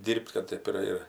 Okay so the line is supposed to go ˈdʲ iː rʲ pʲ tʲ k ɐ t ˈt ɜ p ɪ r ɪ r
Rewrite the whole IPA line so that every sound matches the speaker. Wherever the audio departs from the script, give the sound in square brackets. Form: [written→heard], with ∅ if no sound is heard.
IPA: ˈdʲ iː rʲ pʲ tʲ k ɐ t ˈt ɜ p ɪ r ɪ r